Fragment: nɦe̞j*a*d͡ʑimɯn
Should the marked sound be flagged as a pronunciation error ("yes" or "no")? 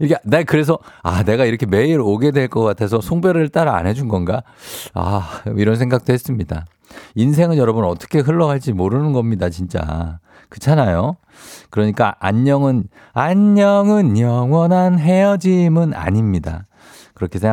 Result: yes